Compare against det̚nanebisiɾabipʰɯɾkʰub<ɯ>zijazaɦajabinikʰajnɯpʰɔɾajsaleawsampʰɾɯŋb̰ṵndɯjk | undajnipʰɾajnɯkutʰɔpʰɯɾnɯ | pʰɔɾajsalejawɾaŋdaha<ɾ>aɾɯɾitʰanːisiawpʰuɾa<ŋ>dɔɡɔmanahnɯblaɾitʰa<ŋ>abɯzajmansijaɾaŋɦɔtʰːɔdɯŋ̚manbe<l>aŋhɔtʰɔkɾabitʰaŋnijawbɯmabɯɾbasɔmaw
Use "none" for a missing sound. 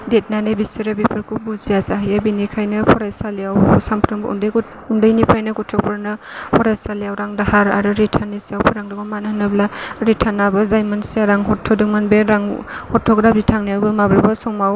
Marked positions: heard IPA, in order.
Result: u, ɾ, ŋ, n, ɾ

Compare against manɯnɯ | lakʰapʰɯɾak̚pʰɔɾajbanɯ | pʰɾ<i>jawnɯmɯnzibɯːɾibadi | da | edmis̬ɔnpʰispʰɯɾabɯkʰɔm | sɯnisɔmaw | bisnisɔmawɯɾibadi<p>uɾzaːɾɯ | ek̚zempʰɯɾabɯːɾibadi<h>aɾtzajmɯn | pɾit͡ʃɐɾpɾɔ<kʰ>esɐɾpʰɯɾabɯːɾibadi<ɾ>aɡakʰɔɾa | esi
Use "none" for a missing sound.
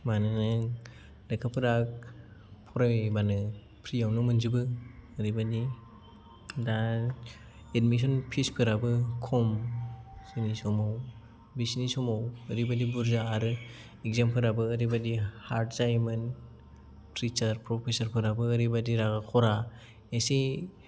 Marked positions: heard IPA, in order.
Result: i, b, h, pʰ, ɾ

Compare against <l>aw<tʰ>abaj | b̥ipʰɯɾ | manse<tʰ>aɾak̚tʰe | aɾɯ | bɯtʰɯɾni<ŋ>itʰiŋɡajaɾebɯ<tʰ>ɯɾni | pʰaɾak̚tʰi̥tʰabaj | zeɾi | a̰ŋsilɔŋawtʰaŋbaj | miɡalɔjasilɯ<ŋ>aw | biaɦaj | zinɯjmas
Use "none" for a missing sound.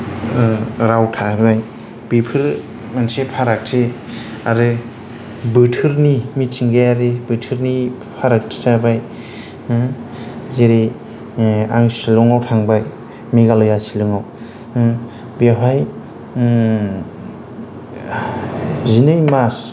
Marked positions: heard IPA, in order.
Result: ɾ, tʰ, pʰ, m, tʰ, ŋ

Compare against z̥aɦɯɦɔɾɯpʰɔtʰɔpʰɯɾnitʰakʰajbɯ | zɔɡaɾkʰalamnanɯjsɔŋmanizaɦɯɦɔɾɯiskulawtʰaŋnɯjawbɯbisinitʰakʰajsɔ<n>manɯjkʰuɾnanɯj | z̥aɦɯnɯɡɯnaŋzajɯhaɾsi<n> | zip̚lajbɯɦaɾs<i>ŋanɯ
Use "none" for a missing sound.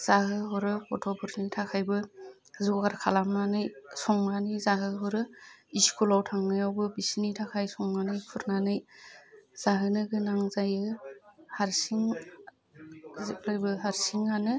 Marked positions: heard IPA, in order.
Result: ŋ, ŋ, i

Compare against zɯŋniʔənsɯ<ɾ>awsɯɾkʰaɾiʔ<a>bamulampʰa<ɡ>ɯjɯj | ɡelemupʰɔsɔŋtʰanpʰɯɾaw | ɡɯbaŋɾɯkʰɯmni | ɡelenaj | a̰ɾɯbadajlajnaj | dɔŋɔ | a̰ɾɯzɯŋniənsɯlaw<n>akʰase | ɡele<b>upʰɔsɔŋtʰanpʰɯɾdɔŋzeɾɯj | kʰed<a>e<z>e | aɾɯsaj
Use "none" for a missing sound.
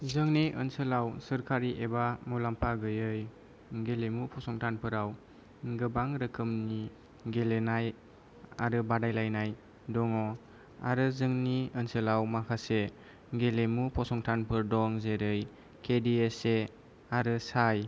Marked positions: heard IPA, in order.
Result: l, e, ɡ, m, m, i, s

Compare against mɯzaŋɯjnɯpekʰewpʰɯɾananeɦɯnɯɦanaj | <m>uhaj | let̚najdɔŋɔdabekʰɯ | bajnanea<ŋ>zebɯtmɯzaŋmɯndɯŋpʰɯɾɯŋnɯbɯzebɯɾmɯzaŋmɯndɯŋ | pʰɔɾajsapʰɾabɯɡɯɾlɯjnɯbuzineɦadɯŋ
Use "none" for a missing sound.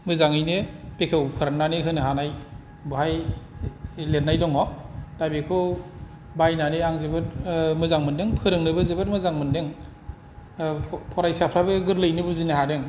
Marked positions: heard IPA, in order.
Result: b, ŋ

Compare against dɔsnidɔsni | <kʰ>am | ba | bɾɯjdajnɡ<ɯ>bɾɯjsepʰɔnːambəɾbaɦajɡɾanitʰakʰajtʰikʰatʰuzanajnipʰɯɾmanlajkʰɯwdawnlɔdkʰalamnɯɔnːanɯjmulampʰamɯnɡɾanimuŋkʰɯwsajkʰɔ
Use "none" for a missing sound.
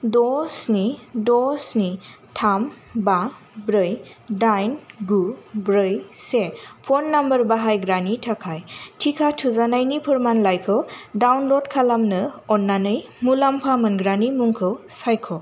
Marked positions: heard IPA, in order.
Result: tʰ, u

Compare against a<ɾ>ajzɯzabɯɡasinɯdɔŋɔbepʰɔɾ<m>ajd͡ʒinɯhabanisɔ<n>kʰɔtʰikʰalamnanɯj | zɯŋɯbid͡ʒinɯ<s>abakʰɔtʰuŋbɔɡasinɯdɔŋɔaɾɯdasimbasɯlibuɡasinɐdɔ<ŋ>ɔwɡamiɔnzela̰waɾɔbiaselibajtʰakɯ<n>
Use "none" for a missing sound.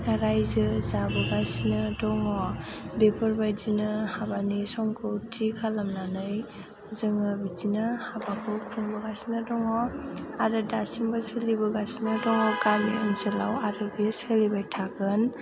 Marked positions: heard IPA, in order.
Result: ɾ, b, ŋ, h, ŋ, n

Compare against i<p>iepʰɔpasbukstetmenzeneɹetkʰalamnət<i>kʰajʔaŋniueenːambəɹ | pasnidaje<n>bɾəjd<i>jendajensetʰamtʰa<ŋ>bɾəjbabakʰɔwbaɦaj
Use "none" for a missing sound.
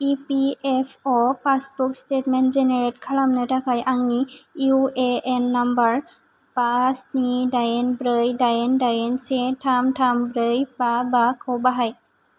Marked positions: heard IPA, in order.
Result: p, a, n, a, m

